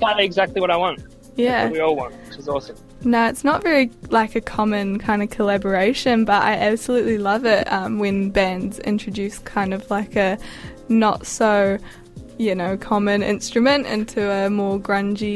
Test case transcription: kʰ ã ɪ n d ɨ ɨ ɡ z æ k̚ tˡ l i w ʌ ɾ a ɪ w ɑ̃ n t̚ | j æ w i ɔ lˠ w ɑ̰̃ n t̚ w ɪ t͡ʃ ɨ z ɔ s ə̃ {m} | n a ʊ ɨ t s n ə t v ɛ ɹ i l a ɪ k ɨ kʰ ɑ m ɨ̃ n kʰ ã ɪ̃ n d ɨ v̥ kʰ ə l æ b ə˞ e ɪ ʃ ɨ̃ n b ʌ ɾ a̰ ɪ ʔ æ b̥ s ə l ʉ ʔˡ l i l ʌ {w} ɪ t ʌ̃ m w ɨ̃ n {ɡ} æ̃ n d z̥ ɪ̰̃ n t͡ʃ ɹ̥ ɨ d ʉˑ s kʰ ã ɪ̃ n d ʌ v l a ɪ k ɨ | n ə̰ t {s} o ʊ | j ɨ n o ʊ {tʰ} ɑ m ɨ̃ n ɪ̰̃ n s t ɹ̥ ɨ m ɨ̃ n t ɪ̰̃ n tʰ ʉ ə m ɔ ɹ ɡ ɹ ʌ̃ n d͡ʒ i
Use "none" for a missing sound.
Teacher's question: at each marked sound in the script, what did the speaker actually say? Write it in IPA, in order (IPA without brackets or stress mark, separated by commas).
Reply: m, v, b, s, kʰ